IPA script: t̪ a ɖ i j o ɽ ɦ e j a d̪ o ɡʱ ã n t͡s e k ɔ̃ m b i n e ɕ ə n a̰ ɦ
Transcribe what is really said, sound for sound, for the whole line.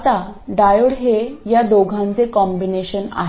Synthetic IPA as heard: t̪ a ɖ a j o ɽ ɦ e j a d̪ o ɡʱ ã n t͡s e k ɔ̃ m b i n e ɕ ə n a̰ ɦ

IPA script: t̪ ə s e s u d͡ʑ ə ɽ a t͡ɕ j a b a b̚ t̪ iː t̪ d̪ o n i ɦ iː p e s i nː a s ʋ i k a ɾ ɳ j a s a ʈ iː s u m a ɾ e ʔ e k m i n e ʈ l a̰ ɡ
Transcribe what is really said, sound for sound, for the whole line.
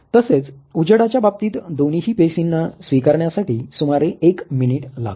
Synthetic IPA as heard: t̪ ə s e t͡s u d͡ʑ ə ɽ a t͡ɕ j a b a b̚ t̪ iː t̪ d̪ o n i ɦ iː p e s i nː a s ʋ i k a ɾ ɳ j a s a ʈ iː s u m a ɾ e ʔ e k m i n i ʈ l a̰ ɡ

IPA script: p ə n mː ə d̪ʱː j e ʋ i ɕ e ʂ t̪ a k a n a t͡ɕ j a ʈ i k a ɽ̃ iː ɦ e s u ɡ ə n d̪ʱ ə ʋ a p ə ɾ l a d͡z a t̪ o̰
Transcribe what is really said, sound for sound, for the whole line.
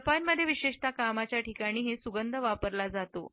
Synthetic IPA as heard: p a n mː ə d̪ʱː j e ʋ i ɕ e ʂ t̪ a k a m a t͡ɕ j a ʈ i k a ɽ̃ iː ɦ e s u ɡ ə n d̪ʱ ə ʋ a p ə ɾ l a d͡z a t̪ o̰

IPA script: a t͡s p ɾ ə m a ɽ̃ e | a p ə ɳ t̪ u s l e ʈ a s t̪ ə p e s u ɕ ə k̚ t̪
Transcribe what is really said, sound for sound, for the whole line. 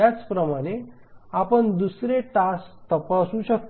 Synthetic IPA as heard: a t͡s p ɾ ə m a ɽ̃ e | a p ə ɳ d̪ u s ɾ e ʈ a s t̪ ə p a s u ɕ ə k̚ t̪

